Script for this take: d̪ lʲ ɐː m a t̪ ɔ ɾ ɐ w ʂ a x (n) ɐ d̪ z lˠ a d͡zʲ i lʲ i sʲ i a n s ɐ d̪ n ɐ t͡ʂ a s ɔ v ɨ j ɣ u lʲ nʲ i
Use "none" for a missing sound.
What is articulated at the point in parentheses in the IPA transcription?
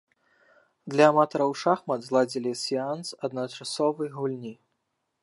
m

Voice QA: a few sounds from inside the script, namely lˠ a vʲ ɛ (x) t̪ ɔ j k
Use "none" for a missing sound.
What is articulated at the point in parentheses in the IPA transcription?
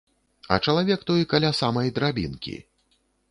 k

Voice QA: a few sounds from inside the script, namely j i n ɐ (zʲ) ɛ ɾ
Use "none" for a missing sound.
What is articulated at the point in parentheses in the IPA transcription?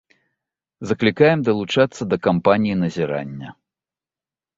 zʲ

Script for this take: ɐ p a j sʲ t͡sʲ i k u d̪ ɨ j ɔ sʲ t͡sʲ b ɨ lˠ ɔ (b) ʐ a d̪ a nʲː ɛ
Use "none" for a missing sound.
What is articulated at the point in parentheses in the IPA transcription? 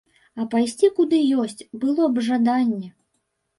b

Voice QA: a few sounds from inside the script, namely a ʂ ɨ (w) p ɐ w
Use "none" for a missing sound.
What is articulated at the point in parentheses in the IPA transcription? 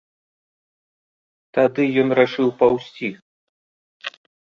w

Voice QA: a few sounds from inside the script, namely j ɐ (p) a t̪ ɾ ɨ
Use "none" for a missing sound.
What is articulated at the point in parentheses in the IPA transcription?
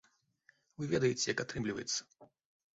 k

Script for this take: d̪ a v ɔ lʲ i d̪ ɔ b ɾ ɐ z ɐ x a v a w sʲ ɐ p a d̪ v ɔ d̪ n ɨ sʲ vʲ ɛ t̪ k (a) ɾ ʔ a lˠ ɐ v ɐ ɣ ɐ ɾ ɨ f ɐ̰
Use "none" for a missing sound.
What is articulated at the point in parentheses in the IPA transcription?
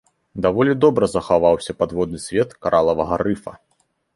a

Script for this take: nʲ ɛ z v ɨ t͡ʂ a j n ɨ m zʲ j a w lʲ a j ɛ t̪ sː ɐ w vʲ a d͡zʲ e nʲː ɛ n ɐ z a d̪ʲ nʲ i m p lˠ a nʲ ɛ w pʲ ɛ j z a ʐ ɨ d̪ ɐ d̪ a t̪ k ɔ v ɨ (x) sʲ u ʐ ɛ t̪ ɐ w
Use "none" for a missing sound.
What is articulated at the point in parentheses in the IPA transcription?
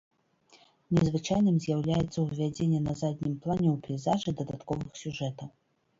x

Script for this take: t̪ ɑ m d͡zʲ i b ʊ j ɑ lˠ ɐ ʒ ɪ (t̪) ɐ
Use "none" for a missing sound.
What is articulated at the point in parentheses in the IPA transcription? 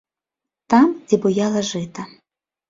t̪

